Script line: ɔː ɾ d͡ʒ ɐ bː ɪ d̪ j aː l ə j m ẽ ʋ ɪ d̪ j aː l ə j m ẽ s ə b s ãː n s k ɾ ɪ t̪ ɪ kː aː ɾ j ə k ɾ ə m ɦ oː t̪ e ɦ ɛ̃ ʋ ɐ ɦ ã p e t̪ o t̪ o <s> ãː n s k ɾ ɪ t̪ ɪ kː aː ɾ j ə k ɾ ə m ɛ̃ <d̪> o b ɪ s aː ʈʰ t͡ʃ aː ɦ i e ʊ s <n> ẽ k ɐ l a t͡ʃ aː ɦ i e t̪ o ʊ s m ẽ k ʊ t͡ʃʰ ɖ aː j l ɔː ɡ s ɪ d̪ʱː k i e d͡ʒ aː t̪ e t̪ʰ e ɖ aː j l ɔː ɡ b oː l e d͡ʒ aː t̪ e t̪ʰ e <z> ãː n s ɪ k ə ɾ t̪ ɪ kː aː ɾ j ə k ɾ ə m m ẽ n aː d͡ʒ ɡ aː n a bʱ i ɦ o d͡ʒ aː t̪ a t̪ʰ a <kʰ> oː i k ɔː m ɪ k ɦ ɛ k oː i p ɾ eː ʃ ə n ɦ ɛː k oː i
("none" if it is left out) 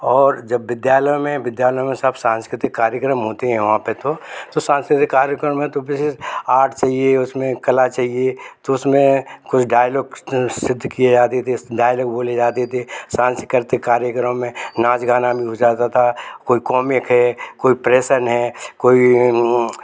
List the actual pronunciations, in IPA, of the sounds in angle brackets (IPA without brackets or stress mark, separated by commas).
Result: s, t̪, m, s, k